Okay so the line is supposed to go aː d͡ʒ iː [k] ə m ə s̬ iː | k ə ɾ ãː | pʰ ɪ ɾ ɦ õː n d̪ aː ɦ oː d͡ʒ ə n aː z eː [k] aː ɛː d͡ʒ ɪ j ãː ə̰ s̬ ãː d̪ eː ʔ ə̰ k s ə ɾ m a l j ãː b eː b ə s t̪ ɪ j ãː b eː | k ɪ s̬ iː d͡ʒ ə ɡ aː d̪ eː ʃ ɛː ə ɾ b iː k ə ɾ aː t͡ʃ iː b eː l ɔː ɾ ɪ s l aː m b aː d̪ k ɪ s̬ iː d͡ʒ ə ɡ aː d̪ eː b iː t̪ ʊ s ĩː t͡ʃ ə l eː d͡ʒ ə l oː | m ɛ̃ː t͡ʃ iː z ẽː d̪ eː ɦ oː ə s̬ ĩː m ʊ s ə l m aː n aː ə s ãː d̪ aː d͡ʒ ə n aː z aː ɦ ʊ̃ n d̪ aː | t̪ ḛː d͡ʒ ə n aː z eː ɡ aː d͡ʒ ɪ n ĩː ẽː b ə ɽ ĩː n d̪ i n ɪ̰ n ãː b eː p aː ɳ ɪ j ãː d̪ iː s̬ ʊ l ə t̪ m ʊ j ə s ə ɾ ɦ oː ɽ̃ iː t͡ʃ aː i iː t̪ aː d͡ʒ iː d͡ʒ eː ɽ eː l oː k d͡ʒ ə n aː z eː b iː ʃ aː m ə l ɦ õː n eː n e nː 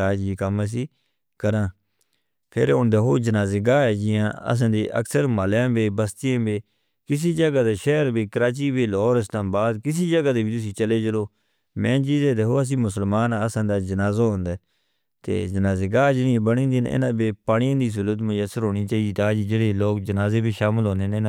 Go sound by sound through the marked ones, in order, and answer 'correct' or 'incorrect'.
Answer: correct, incorrect: ɡ

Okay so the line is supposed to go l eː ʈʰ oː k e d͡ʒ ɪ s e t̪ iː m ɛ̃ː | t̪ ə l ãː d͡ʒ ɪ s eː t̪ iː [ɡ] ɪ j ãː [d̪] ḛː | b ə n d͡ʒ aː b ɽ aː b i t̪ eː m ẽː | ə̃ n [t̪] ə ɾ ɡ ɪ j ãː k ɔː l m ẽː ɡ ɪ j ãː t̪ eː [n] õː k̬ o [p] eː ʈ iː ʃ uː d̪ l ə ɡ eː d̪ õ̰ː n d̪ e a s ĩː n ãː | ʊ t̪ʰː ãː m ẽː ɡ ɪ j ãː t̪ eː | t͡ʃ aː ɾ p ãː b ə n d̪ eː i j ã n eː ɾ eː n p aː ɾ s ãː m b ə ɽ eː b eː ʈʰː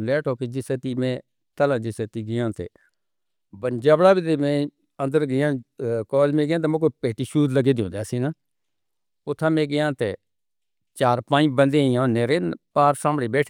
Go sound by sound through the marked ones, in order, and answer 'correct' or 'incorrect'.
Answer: correct, incorrect: t̪, incorrect: d̪, incorrect: m, correct

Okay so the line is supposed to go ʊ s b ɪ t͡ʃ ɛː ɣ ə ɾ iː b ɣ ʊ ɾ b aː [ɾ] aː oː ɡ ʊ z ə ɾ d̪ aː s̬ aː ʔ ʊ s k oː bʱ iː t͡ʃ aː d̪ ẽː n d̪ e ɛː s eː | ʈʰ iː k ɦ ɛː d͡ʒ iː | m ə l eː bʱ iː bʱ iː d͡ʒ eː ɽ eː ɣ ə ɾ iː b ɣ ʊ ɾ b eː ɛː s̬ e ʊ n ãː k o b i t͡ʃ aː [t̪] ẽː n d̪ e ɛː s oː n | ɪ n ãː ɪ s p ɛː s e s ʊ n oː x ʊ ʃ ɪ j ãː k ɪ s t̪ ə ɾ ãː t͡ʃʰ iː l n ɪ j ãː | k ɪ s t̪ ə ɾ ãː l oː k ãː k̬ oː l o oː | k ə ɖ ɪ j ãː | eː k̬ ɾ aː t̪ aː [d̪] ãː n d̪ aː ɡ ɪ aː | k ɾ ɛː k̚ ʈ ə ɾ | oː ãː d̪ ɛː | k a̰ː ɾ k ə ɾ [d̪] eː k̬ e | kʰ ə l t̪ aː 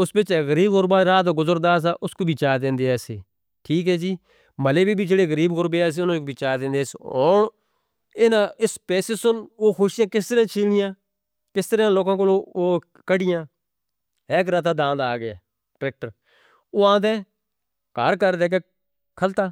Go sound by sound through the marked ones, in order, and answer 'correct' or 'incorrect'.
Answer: correct, incorrect: d̪, correct, correct

